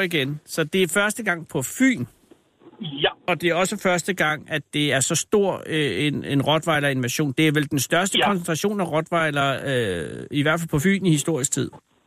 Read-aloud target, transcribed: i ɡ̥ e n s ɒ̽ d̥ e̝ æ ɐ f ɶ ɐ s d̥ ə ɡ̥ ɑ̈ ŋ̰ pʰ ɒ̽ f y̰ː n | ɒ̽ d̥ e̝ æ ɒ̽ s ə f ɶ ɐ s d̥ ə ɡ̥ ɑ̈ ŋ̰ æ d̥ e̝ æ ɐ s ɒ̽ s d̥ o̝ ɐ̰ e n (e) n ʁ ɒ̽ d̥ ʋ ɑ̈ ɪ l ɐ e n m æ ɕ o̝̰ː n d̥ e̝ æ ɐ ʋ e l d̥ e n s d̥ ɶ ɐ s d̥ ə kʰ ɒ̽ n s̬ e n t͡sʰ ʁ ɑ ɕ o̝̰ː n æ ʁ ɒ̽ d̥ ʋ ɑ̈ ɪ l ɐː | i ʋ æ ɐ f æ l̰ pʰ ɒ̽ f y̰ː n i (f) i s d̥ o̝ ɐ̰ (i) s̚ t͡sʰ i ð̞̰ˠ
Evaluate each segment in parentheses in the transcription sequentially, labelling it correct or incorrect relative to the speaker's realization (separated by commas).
correct, incorrect, correct